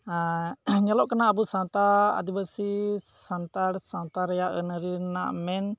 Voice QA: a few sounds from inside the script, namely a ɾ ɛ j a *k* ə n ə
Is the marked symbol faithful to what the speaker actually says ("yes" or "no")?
no